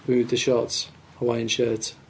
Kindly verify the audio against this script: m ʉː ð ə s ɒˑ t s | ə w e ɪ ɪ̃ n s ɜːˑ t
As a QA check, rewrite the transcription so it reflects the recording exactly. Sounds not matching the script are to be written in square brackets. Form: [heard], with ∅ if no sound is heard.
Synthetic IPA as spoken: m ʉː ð ə [ʃ] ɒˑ t s | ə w [a] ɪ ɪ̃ n [ʃ] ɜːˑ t